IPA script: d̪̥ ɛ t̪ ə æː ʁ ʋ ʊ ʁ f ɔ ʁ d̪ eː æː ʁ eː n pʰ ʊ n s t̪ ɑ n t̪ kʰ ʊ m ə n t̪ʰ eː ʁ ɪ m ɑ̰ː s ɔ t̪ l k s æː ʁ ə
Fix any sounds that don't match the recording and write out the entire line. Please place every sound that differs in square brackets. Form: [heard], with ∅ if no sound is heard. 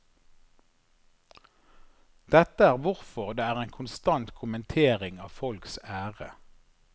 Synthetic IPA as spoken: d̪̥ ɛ t̪ ə æː ʁ ʋ ʊ ʁ f ɔ ʁ d̪ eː æː ʁ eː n [kʰ] ʊ n s t̪ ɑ n t̪ kʰ ʊ m ə n t̪ʰ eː ʁ ɪ [ŋ] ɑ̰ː [f] ɔ [∅] l k s æː ʁ ə